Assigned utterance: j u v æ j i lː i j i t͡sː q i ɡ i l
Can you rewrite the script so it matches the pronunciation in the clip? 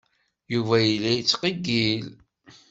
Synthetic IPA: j u v æ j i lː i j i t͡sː q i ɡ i l